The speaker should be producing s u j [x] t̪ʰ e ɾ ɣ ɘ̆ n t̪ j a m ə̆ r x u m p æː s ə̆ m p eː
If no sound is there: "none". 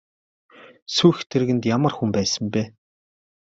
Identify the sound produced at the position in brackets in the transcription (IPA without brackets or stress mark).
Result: x